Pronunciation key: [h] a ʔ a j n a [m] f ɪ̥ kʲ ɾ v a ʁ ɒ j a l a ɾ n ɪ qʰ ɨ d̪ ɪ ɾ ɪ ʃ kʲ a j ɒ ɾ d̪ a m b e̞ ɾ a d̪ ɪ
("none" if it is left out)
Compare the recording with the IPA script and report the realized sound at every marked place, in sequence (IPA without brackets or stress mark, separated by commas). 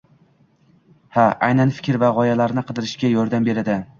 h, n